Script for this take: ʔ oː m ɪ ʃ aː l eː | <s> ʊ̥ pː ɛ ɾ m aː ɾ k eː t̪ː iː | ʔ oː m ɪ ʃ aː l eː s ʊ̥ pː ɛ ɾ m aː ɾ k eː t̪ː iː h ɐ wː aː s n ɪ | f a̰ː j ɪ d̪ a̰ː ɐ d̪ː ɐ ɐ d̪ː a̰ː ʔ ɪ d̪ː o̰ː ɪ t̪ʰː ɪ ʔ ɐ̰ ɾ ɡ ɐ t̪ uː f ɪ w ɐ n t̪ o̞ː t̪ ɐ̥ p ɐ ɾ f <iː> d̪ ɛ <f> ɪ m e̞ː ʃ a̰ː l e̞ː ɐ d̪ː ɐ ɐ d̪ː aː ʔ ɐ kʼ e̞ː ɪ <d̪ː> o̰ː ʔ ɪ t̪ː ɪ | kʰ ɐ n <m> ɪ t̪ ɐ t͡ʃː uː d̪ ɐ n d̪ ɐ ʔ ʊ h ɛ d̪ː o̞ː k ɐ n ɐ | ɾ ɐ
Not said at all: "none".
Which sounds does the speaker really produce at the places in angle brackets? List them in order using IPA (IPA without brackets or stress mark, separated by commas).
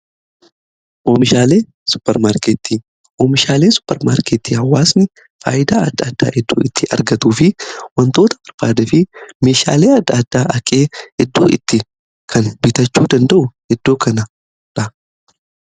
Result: s, aː, f, d̪ː, b